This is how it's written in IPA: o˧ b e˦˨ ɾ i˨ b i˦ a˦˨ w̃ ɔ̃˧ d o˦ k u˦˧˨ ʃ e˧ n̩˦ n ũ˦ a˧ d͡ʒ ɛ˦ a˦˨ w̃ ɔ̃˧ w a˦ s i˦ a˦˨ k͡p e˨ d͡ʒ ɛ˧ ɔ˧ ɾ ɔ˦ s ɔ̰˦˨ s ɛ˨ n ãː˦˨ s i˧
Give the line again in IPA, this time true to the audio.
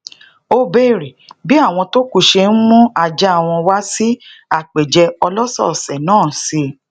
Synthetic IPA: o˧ b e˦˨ ɾ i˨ b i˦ a˦˨ w̃ ɔ̃˧ t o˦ k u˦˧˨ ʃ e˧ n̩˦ m ũ˦ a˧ d͡ʒ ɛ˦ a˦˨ w̃ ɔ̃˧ w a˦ s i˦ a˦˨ k͡p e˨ d͡ʒ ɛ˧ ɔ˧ l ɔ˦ s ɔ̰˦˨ s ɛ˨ n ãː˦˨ s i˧